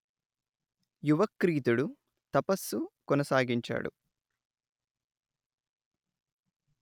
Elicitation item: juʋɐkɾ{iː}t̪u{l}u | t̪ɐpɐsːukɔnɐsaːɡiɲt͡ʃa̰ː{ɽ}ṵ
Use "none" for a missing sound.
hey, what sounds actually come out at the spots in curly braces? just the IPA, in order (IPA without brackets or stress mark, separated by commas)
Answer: iː, ɽ, ɽ